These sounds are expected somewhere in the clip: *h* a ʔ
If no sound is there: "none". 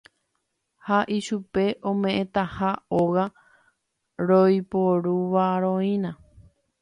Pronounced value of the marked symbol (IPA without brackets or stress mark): h